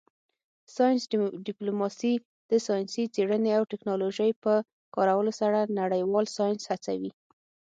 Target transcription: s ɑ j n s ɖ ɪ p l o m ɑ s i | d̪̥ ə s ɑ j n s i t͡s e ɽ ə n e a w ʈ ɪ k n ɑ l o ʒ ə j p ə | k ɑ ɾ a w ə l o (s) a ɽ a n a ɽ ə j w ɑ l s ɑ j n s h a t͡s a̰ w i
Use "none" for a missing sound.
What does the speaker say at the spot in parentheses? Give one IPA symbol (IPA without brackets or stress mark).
s